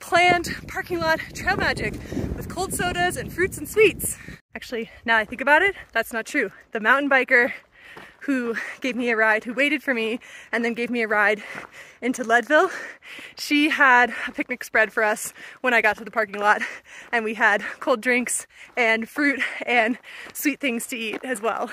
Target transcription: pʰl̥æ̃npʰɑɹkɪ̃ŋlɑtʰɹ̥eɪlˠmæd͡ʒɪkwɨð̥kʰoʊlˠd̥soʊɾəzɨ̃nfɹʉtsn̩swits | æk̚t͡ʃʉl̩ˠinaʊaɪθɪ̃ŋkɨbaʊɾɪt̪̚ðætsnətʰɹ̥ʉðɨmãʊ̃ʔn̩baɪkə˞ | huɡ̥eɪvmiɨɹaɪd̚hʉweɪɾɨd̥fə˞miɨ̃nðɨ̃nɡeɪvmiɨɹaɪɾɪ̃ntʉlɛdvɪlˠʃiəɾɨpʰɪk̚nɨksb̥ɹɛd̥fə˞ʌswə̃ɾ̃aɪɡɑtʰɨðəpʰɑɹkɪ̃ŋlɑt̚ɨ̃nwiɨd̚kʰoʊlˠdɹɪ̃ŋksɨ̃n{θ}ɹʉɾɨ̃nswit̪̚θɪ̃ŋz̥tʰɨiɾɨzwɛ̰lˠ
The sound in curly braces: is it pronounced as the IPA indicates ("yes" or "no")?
no